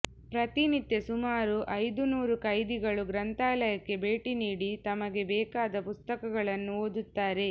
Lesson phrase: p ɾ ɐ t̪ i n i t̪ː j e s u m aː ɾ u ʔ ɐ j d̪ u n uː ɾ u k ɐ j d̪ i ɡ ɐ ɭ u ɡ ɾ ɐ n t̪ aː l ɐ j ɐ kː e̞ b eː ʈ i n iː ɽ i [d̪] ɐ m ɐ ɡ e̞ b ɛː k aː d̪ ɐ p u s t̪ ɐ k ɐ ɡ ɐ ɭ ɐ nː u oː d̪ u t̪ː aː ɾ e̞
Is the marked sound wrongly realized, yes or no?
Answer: yes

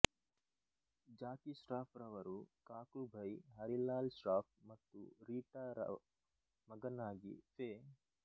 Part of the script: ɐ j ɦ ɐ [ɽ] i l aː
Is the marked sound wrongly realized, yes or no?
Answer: yes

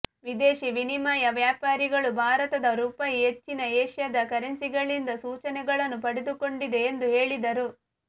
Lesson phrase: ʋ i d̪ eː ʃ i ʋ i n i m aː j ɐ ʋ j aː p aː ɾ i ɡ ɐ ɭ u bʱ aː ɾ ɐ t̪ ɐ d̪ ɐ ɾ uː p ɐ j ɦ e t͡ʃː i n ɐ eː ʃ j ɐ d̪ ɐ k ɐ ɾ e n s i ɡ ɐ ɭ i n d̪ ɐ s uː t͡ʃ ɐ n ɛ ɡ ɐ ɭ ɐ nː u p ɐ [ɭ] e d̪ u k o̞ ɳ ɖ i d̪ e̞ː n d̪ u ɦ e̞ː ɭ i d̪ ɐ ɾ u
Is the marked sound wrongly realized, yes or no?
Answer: yes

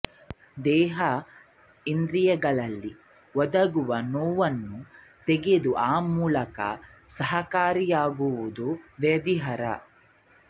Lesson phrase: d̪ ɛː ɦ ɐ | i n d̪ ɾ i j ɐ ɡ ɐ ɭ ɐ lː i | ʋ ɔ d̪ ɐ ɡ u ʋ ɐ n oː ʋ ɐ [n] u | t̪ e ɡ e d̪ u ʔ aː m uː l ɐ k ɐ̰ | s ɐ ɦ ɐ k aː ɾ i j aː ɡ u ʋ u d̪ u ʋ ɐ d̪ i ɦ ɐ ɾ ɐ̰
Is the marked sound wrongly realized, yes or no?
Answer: yes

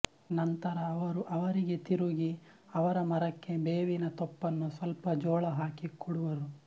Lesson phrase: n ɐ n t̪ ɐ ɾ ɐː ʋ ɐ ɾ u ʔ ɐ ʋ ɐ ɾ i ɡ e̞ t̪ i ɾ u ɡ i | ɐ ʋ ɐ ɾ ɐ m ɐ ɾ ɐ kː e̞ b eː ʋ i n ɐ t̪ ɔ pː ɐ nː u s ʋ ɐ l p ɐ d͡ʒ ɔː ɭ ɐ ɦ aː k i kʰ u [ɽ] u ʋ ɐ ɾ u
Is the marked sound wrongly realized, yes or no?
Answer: no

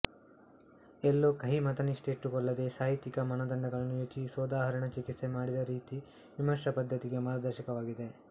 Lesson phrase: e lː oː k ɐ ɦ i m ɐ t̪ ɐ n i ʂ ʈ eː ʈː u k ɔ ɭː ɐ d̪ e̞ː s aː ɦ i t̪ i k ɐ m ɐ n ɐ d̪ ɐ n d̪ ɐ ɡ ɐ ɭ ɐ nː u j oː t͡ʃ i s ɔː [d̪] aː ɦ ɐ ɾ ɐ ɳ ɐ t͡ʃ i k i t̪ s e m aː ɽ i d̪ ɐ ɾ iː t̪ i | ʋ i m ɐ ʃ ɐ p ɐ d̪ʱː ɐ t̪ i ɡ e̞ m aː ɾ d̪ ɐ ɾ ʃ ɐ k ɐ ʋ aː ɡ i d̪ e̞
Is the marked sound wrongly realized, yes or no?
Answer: no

